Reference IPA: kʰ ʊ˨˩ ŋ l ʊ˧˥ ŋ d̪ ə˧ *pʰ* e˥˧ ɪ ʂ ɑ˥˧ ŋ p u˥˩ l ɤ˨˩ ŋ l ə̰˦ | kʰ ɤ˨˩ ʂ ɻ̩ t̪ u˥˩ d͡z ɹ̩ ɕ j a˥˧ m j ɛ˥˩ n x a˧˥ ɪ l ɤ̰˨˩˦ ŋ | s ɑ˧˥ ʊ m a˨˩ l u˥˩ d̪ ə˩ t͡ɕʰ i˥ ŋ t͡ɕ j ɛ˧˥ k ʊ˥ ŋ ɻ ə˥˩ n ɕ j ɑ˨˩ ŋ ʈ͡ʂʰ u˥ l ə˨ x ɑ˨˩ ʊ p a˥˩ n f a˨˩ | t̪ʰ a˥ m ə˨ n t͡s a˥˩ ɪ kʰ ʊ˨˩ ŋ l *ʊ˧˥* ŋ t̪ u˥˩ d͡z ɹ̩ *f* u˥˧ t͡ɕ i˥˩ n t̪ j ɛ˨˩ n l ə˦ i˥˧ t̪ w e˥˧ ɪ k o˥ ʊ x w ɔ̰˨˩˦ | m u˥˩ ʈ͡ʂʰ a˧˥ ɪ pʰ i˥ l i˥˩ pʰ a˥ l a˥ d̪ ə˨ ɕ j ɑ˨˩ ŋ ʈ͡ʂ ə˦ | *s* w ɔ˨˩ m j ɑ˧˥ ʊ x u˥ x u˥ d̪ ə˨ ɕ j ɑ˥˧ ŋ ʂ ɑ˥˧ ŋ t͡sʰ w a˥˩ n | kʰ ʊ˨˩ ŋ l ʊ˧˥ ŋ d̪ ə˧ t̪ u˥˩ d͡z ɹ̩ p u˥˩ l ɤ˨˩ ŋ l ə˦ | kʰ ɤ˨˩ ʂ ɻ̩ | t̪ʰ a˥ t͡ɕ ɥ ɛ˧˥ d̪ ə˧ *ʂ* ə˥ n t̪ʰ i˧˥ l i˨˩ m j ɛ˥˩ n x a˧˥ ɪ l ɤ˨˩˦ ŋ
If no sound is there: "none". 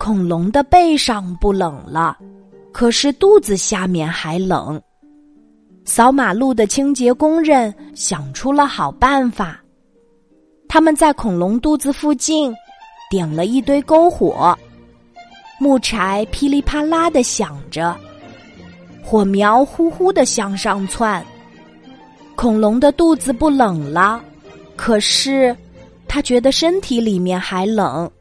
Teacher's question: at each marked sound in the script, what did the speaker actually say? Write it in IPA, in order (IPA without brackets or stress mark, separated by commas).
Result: p, ʊ˧˥, f, x, ʂ